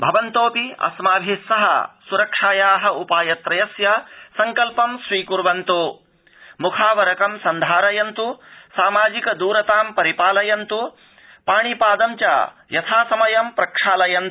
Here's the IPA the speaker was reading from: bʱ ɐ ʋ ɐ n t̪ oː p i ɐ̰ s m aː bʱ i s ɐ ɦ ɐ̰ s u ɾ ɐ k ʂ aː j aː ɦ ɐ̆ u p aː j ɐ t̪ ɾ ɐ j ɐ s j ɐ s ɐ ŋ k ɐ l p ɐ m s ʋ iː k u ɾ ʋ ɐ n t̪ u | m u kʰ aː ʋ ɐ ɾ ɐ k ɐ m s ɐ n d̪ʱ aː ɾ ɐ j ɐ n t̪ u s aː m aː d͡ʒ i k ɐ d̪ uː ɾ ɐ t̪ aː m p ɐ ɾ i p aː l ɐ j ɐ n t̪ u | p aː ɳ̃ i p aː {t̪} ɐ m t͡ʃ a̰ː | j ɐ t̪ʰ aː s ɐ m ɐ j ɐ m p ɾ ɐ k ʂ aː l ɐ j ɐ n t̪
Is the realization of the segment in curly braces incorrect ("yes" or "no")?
yes